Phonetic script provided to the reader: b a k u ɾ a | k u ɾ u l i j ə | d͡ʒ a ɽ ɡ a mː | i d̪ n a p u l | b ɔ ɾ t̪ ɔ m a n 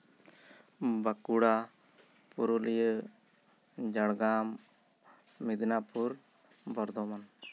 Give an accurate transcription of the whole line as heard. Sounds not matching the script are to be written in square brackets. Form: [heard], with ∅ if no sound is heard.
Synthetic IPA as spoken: b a k u [ɽ] a | [p] u ɾ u l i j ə | d͡ʒ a ɽ ɡ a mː | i d̪ n a p u [ɾ] | b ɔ ɾ [d̪] ɔ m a n